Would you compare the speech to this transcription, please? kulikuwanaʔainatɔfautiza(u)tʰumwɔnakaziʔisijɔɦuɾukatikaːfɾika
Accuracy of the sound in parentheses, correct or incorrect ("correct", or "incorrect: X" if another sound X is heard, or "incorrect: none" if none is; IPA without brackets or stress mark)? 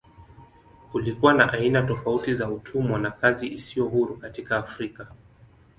correct